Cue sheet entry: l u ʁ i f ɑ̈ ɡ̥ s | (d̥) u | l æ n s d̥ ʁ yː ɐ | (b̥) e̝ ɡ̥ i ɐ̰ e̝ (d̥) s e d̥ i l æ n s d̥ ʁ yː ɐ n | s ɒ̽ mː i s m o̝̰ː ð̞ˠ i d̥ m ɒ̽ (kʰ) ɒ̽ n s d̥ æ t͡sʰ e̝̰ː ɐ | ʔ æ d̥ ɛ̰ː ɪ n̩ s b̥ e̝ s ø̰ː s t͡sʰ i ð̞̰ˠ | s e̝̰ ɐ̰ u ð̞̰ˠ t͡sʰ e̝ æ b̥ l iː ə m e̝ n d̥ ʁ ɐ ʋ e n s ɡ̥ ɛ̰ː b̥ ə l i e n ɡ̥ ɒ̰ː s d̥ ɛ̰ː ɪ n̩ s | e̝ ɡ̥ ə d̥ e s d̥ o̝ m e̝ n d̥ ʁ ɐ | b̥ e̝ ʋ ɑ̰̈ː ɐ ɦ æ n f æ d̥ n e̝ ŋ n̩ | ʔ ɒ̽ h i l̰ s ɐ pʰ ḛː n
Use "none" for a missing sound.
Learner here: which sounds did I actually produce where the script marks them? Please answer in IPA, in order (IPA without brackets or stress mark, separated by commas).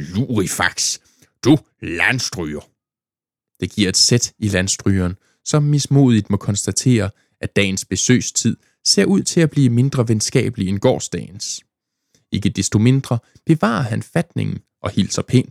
d̥, d̥, d̥, kʰ